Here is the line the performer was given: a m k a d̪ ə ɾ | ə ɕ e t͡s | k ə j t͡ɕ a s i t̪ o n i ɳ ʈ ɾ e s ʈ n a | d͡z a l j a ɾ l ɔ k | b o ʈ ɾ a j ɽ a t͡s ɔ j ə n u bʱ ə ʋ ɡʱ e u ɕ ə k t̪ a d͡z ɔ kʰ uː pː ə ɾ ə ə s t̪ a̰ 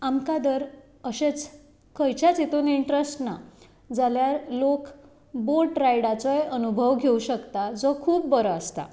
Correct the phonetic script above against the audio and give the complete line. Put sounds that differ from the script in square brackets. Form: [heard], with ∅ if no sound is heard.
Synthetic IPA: a m k a d̪ ə ɾ | ə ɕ e t͡s | k ə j t͡ɕ a [t͡s] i t̪ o n i ɳ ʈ ɾ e s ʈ n a | d͡z a l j a ɾ l [o] k | b o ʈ ɾ a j ɽ a t͡s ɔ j ə n u bʱ ə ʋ ɡʱ e u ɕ ə k t̪ a d͡z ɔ kʰ uː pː ə ɾ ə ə s t̪ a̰

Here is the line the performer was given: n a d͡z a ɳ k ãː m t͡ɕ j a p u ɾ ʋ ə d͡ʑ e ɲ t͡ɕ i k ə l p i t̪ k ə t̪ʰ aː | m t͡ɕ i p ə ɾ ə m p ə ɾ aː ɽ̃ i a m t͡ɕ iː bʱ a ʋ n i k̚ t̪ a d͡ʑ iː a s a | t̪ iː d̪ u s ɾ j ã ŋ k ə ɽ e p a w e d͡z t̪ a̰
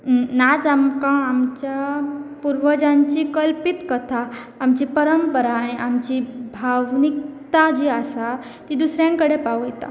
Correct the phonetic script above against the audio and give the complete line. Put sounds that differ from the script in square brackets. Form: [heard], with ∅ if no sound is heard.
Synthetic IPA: n a d͡z a [m] k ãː m t͡ɕ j a p u ɾ ʋ ə d͡ʑ [a] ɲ t͡ɕ i k ə l p i t̪ k ə t̪ʰ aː | m t͡ɕ i p ə ɾ ə m p ə ɾ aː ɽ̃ i a m t͡ɕ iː bʱ a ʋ n i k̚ t̪ a d͡ʑ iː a s a | t̪ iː d̪ u s ɾ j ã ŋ k ə ɽ e p a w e [∅] t̪ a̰

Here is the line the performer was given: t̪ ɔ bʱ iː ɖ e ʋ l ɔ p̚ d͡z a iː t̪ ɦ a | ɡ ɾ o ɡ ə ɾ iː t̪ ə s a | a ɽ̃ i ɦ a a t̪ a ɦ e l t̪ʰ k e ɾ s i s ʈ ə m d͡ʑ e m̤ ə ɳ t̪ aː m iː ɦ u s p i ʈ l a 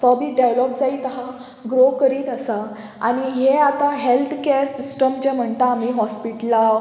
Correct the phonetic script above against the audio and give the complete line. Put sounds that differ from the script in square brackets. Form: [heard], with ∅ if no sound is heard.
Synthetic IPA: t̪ ɔ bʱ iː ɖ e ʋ l ɔ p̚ d͡z a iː t̪ ɦ a | ɡ ɾ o [k] ə ɾ iː t̪ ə s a | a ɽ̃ i ɦ [e] a t̪ a ɦ e l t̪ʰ k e ɾ s i s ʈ ə m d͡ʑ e m̤ ə ɳ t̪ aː m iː ɦ [ɔ] s p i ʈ l a

